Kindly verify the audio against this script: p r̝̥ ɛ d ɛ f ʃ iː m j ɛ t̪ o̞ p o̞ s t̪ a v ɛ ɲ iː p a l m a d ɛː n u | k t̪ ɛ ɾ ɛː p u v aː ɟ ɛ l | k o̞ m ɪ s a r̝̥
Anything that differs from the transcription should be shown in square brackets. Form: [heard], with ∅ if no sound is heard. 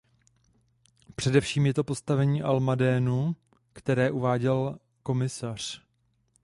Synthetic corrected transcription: p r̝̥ ɛ d ɛ f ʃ iː m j ɛ t̪ o̞ p o̞ s t̪ a v ɛ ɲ iː [ʔ] a l m a d ɛː n u | k t̪ ɛ ɾ ɛː [ʔ] u v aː ɟ ɛ l | k o̞ m ɪ s a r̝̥